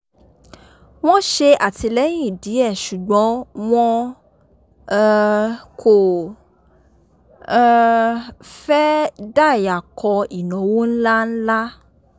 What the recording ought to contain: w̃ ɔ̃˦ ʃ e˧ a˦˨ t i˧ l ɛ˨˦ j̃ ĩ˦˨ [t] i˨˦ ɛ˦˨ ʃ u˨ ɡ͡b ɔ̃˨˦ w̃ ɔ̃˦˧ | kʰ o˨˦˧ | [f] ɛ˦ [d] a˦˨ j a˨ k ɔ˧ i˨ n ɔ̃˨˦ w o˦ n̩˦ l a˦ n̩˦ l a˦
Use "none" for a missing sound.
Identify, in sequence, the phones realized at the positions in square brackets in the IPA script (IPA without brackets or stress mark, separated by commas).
d, f, d